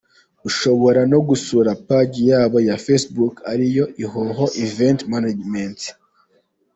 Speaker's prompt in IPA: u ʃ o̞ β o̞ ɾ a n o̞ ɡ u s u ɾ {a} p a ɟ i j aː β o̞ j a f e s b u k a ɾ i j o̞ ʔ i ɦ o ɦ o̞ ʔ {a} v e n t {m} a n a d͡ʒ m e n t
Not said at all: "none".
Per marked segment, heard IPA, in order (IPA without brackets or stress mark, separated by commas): a, i, m